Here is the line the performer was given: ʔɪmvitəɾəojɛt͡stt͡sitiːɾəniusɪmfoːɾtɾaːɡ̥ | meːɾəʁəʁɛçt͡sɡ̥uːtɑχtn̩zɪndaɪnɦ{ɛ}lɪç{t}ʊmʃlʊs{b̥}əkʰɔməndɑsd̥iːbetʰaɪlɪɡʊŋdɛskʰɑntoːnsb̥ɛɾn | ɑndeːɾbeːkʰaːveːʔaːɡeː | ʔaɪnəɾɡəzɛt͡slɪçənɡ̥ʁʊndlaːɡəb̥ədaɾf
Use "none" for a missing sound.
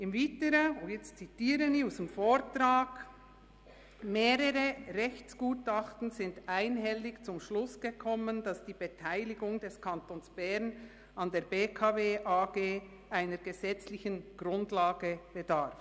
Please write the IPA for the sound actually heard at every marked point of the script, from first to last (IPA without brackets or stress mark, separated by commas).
ɛ, t͡s, ɡ̥